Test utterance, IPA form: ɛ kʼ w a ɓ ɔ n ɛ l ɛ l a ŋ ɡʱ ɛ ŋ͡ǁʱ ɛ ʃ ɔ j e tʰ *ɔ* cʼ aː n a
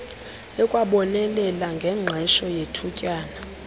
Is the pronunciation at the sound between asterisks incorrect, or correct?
incorrect